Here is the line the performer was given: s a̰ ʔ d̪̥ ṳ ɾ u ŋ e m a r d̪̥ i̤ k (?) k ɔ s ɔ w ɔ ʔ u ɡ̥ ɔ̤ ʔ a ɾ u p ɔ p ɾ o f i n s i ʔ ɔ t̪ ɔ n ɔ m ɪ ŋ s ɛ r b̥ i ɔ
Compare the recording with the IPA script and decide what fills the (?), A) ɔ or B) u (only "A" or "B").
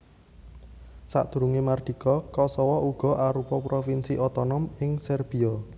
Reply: A